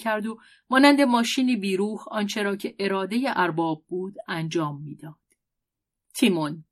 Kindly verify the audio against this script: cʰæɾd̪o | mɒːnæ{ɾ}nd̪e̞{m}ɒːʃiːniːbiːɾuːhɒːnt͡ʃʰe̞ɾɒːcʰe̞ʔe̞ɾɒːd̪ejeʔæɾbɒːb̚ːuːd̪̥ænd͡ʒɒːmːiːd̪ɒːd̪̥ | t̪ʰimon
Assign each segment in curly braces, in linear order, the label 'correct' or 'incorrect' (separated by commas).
incorrect, correct